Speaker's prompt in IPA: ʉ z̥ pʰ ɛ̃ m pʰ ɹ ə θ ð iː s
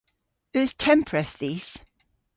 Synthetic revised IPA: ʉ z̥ tʰ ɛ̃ m pʰ ɹ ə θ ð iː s

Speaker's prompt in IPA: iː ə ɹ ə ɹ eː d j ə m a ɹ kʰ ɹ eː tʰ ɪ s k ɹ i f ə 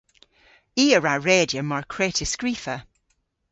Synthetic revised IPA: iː ə ɹ a ɹ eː d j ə m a ɹ kʰ ɹ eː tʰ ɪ s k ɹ i f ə

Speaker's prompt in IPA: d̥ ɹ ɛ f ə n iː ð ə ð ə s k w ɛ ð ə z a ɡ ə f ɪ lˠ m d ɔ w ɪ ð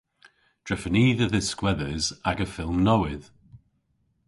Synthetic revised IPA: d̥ ɹ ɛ f ə n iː ð ə ð ə s k w ɛ ð ə z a ɡ ə f ɪ lˠ m n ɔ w ɪ ð

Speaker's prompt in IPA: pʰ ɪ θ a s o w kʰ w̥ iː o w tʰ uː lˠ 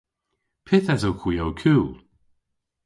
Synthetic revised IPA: pʰ ɪ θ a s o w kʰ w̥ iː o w kʰ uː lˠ

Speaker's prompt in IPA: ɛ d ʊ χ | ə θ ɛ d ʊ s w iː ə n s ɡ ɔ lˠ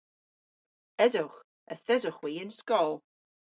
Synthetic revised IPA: ɛ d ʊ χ | ə θ ɛ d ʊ χ w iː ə n s k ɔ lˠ

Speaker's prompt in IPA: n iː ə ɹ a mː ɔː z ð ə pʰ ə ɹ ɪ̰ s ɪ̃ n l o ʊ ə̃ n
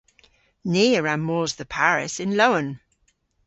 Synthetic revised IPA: n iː ə ɹ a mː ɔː z ð ə pʰ a ɹ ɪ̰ s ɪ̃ n l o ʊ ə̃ n

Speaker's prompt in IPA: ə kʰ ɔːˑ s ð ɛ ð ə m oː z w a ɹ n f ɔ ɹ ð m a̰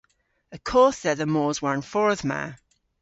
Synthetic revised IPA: ə kʰ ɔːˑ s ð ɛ ð ə m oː z w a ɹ n f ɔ ɹ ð m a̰

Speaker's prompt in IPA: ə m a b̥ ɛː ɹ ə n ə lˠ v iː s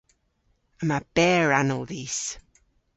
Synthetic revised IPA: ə m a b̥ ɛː ɹ a n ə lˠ ð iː s

